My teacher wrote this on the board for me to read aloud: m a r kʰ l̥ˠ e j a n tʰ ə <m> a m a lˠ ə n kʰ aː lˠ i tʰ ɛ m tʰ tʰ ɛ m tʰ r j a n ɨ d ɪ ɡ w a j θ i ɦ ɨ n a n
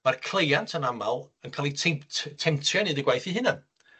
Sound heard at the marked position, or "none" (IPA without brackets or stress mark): n